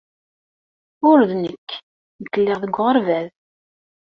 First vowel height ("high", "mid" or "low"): high